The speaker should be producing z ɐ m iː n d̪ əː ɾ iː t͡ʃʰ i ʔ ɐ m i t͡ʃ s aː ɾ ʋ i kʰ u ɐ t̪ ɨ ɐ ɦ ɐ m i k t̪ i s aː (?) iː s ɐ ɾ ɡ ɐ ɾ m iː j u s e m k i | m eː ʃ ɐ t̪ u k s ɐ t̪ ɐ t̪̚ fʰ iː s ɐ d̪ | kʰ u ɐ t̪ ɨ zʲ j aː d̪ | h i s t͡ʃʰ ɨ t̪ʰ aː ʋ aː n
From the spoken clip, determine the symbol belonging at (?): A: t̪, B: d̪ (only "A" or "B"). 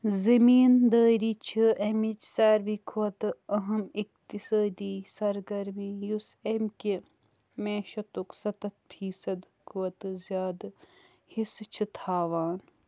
B